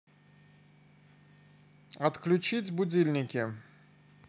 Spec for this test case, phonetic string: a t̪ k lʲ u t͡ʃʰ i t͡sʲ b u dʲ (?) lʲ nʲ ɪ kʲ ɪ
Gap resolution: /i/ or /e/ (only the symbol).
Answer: i